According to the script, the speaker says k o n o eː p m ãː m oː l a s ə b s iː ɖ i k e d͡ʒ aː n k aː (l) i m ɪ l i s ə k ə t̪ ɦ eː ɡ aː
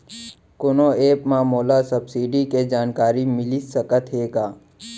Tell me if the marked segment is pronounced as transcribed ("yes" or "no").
no